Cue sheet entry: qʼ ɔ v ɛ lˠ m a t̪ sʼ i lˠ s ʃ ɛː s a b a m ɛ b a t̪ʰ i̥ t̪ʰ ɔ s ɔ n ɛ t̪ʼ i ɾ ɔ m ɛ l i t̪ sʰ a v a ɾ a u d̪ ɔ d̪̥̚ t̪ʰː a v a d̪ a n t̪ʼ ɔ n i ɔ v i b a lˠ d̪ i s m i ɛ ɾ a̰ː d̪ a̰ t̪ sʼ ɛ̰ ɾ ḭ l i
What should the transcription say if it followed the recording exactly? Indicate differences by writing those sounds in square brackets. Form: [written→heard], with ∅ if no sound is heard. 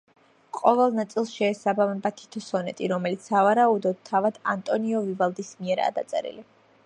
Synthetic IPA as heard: qʼ ɔ v ɛ lˠ [m→n] a t̪ sʼ i lˠ s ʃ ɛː s a b a m ɛ b a t̪ʰ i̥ t̪ʰ ɔ s ɔ n ɛ t̪ʼ i ɾ ɔ m ɛ l i t̪ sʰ a v a ɾ a u d̪ ɔ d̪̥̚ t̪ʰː a v a d̪ a n t̪ʼ ɔ n i ɔ v i [b→v] a lˠ d̪ i s m i ɛ ɾ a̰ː d̪ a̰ t̪ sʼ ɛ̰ ɾ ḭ l i

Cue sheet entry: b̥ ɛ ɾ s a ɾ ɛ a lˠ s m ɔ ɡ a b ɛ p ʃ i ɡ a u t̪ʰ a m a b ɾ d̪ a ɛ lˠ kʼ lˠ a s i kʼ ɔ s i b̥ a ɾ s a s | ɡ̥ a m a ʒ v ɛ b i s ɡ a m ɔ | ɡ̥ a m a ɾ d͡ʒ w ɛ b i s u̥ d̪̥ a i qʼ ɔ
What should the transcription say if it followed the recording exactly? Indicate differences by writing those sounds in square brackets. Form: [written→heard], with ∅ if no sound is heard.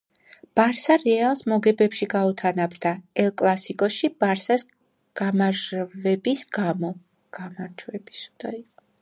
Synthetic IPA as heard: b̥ [ɛ→a] ɾ s a ɾ ɛ a lˠ s m ɔ ɡ [a→ɛ] b ɛ p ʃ i ɡ a u t̪ʰ a [m→n] a b ɾ d̪ a ɛ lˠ kʼ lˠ a s i kʼ ɔ [s→ʃ] i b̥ a ɾ s a s | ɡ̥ a m a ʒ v ɛ b i s ɡ a m ɔ | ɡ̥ a m a ɾ d͡ʒ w ɛ b i s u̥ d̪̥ a i qʼ ɔ

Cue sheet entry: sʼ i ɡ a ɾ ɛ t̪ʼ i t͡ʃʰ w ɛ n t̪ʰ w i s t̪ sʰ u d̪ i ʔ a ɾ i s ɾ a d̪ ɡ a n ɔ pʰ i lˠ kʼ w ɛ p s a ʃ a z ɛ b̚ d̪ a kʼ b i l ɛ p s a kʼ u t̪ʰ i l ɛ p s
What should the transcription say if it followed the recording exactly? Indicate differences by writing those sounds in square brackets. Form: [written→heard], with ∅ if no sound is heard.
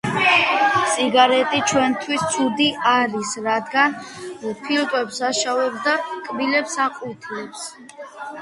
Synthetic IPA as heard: sʼ i ɡ a ɾ ɛ t̪ʼ i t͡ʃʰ w ɛ n t̪ʰ w i s t̪ sʰ u d̪ i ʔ a ɾ i s ɾ a d̪ ɡ a n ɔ pʰ i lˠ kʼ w ɛ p s a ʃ a [z→v] ɛ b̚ d̪ a kʼ b i l ɛ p s a [kʼ→qʼ] u t̪ʰ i l ɛ p s

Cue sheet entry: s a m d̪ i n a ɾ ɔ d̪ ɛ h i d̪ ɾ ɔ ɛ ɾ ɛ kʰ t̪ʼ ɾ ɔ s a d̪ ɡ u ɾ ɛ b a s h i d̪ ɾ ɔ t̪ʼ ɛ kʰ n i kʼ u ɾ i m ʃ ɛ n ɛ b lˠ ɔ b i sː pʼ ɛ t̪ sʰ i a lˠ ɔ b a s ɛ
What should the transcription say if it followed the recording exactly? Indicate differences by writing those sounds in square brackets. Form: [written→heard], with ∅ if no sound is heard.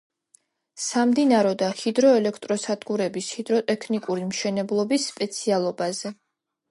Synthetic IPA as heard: s a m d̪ i n a ɾ ɔ d̪ [ɛ→a] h i d̪ ɾ ɔ ɛ [ɾ→l] ɛ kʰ t̪ʼ ɾ ɔ s a d̪ ɡ u ɾ ɛ b [a→i] s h i d̪ ɾ ɔ t̪ʼ ɛ kʰ n i kʼ u ɾ i m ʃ ɛ n ɛ b lˠ ɔ b i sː pʼ ɛ t̪ sʰ i a lˠ ɔ b a [s→z] ɛ

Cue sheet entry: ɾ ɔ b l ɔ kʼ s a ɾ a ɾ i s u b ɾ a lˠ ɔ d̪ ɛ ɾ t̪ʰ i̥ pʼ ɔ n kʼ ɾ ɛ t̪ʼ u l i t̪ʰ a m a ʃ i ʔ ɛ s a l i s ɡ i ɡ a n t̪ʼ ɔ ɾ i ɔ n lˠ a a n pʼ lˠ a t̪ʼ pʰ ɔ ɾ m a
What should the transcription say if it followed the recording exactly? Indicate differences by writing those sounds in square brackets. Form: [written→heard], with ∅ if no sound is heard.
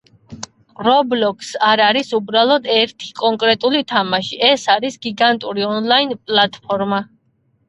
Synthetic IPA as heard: ɾ ɔ b l ɔ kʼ s a ɾ a ɾ i s u b ɾ a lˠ ɔ d̪ ɛ ɾ t̪ʰ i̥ [pʼ→kʼ] ɔ [n→ŋ] kʼ ɾ ɛ t̪ʼ u l i t̪ʰ a m a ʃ i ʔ ɛ s a [l→ɾ] i s ɡ i ɡ a n t̪ʼ [ɔ→u] ɾ i ɔ n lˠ a [a→i] n pʼ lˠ a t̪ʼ pʰ ɔ ɾ m a

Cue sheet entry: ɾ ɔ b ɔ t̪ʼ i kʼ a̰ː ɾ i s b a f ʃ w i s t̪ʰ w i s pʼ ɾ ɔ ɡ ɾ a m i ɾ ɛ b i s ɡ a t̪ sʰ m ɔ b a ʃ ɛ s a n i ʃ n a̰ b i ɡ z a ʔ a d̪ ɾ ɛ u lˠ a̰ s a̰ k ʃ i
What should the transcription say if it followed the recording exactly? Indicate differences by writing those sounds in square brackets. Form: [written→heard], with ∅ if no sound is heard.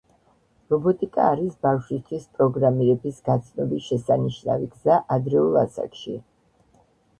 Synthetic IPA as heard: ɾ ɔ b ɔ t̪ʼ i kʼ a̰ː ɾ i s b a f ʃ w i s t̪ʰ w i s pʼ ɾ ɔ ɡ ɾ a m i ɾ ɛ b i s ɡ a t̪ sʰ [m→n] ɔ b [a→i] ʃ ɛ s a n i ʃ n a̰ [b→v] i ɡ z a ʔ a d̪ ɾ ɛ u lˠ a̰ s a̰ k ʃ i

